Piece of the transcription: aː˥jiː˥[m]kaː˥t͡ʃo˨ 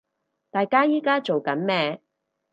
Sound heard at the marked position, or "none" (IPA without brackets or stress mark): none